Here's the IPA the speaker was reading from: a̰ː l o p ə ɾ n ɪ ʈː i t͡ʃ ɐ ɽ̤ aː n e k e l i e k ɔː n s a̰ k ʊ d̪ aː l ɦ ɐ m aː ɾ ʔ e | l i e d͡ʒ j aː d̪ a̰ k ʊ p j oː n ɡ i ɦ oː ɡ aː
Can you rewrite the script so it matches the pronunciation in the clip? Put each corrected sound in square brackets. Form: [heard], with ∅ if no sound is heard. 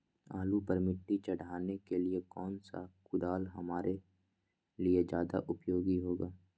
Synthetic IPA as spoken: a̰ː l [u] p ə ɾ [m] ɪ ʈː i t͡ʃ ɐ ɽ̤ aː n e k e l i e k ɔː n s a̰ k ʊ d̪ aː l ɦ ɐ m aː ɾ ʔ e | l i e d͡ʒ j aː d̪ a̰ [ʔ] ʊ p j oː [∅] ɡ i ɦ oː ɡ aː

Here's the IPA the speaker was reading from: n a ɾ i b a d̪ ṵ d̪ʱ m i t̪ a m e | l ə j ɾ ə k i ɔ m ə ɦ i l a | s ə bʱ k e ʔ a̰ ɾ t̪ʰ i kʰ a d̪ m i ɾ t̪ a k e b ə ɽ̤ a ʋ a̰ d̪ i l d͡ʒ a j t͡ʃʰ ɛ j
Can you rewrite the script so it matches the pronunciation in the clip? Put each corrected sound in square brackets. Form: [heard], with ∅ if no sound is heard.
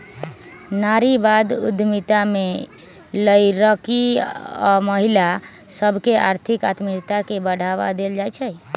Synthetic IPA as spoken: n a ɾ i b a d̪ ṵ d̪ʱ m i t̪ a m e | l ə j ɾ ə k i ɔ m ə ɦ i l a | s ə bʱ k e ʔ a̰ ɾ t̪ʰ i [k] a [t̪] m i ɾ t̪ a k e b ə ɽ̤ a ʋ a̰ d̪ [e] l d͡ʒ a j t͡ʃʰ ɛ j

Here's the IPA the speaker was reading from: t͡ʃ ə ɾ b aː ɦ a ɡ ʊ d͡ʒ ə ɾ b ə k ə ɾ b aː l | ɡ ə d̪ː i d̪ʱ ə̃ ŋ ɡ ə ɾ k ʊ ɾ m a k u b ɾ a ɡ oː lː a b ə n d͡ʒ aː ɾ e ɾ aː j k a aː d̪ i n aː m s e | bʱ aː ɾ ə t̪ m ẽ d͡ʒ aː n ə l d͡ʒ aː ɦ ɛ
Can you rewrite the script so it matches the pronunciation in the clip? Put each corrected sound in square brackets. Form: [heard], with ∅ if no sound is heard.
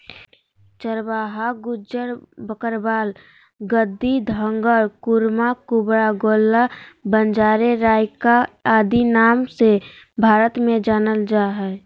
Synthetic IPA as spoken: t͡ʃ ə ɾ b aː ɦ a ɡ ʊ d͡ʒ ə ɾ b ə k ə ɾ b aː l | ɡ ə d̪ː i d̪ʱ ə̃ ŋ ɡ ə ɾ k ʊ ɾ m a k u b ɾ a ɡ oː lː a b ə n d͡ʒ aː ɾ e ɾ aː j k a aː d̪ i n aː m s e | bʱ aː ɾ ə t̪ m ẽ d͡ʒ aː n ə l d͡ʒ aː ɦ ɛ

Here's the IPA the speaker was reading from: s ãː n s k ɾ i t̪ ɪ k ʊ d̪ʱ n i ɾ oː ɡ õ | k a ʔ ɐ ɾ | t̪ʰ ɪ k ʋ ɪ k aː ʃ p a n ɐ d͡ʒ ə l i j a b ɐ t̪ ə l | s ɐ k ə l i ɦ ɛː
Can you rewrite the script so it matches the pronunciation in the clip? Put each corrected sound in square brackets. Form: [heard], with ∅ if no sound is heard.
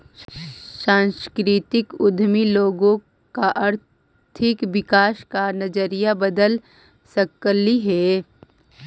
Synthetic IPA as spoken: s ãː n s k ɾ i t̪ ɪ k ʊ d̪ʱ [m] i [l] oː ɡ õ | k a ʔ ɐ ɾ | t̪ʰ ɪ k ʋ ɪ k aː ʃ [k] a n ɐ d͡ʒ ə [ɾ] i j a b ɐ [d̪] ə l | s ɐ k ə l i ɦ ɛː

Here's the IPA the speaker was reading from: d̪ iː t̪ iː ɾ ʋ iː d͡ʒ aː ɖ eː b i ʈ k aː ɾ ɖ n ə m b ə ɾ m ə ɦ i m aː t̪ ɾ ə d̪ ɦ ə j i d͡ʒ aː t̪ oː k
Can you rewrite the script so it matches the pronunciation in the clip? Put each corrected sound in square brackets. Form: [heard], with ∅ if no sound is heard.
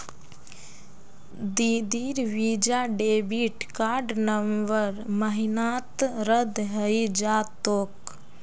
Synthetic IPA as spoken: d̪ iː [d̪] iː ɾ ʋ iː d͡ʒ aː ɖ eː b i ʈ k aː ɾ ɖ n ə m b ə ɾ m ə ɦ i [n] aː t̪ ɾ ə d̪ ɦ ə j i d͡ʒ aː t̪ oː k

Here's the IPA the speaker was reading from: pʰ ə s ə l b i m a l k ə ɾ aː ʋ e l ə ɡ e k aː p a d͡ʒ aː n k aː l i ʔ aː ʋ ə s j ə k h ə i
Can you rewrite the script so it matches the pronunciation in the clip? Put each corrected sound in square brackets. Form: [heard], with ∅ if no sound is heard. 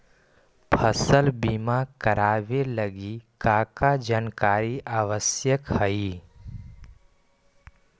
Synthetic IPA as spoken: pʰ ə s ə l b i m a [∅] k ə ɾ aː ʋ e l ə ɡ [i] k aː [k] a d͡ʒ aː n k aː [ɾ] i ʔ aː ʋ ə s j ə k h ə i

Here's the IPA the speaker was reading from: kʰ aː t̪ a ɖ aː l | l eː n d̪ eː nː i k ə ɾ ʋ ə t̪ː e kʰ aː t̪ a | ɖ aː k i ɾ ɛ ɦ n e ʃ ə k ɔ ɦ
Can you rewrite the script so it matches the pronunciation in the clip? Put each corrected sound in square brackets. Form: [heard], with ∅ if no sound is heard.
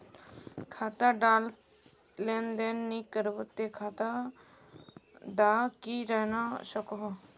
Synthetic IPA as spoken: kʰ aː t̪ a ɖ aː l | l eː n d̪ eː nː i k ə ɾ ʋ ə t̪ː e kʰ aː t̪ a | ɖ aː k i ɾ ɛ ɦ n [a] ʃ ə k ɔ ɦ

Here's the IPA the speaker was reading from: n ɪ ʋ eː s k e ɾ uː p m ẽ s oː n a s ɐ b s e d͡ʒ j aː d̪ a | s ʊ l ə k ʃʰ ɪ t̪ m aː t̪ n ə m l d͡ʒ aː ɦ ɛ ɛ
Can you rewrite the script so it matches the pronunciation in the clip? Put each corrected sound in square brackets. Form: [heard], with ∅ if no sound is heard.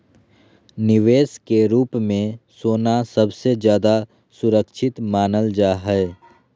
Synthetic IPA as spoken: n ɪ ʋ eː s k e ɾ uː p m ẽ s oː n a s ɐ b s e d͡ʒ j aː d̪ a | s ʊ [ɾ] ə k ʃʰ ɪ t̪ m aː [∅] n ə [∅] l d͡ʒ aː ɦ ɛ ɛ

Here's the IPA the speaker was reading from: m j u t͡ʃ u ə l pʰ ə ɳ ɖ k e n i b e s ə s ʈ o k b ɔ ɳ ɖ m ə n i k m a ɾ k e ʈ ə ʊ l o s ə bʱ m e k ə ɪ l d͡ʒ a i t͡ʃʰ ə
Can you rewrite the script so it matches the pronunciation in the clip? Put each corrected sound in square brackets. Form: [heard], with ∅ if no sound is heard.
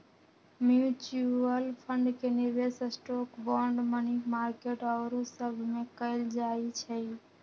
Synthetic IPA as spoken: m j u t͡ʃ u ə l pʰ ə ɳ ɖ k e n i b e s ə s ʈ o k b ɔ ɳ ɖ m ə n i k m a ɾ k e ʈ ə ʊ [ɾ] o s ə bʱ m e k ə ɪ l d͡ʒ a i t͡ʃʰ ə

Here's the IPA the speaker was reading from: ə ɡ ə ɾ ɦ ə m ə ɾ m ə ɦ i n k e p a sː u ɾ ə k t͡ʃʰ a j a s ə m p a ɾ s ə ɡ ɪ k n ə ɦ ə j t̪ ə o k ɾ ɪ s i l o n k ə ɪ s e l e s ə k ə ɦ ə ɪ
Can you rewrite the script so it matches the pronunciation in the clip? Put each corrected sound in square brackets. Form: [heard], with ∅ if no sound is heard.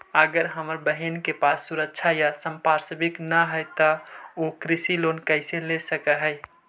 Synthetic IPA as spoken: ə ɡ ə ɾ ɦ ə m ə ɾ [b] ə ɦ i n k e p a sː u ɾ ə k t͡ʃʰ a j a s ə m p a ɾ s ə [b] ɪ k n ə ɦ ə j t̪ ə o k ɾ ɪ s i l o n k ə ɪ s e l e s ə k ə ɦ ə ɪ

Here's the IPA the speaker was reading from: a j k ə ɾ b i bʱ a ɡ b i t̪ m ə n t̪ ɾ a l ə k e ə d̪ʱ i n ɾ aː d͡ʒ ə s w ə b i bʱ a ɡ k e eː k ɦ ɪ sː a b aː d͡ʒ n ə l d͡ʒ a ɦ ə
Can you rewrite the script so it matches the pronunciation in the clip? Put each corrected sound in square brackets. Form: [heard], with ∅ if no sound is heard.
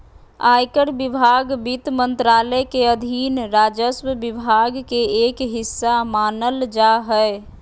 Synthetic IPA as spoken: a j k ə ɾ b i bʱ a ɡ b i t̪ m ə n t̪ ɾ a l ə k e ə d̪ʱ i n ɾ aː d͡ʒ ə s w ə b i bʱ a ɡ k e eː k ɦ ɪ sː a [m] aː [∅] n ə l d͡ʒ a ɦ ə

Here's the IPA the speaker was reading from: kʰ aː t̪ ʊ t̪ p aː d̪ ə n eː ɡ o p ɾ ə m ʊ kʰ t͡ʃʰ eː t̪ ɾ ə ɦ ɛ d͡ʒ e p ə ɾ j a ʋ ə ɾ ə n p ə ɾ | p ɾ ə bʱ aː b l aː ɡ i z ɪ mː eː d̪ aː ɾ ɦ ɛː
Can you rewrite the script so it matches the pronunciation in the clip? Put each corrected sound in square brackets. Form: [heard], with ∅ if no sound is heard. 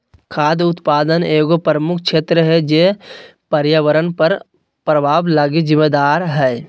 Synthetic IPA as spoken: kʰ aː [d̪] ʊ t̪ p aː d̪ ə n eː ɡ o p ɾ ə m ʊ kʰ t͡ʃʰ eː t̪ ɾ ə ɦ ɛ d͡ʒ e p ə ɾ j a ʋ ə ɾ ə n p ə ɾ | p ɾ ə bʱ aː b l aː ɡ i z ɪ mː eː d̪ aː ɾ ɦ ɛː

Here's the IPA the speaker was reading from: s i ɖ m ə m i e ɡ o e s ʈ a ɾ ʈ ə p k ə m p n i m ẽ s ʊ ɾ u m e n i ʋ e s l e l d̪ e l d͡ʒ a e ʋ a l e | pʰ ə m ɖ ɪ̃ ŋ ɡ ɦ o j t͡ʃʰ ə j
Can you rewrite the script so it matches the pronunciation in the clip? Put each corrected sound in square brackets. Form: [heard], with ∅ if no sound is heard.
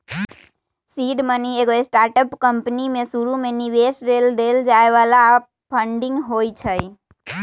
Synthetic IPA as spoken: s i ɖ m ə [n] i e ɡ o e s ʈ a ɾ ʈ ə p k ə m p n i m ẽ s [u] ɾ u m e n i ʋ e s [ɾ] e l d̪ e l d͡ʒ a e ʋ a l [a] | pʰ ə [ɳ] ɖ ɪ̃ ŋ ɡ ɦ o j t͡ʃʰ ə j

